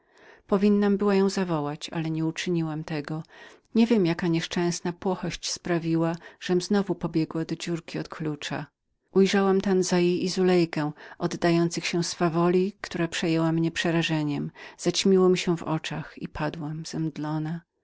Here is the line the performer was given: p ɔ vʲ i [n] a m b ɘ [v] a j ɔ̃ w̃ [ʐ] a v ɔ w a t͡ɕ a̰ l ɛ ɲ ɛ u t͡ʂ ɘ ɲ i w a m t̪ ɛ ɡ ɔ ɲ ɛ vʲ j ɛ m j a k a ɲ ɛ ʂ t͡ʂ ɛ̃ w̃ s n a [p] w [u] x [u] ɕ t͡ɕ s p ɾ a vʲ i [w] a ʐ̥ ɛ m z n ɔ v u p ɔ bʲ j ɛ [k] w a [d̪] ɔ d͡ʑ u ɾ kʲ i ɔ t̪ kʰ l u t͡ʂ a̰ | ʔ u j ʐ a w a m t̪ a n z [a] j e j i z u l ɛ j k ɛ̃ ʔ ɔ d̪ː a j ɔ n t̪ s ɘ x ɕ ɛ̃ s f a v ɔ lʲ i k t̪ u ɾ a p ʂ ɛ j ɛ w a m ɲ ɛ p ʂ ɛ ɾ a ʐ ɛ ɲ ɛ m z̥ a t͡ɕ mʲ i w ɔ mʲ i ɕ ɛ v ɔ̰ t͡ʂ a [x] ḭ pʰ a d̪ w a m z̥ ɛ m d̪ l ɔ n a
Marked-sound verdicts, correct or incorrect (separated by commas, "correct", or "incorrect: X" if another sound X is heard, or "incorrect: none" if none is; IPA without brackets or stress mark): incorrect: nː, incorrect: w, incorrect: z, correct, incorrect: ɔ, incorrect: ɔ, correct, incorrect: ɡ, correct, correct, correct